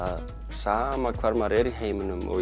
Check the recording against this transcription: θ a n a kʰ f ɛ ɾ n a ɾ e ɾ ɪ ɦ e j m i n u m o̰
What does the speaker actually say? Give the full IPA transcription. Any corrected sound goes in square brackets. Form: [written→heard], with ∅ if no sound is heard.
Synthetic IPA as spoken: [θ→s] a [n→m] a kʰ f [ɛ→a] ɾ [n→m] a ɾ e ɾ [ɪ→i] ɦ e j m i n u m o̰